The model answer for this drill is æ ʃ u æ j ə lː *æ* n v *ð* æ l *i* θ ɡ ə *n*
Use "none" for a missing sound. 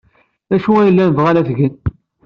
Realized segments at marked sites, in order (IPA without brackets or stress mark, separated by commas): æ, ʁ, æ, n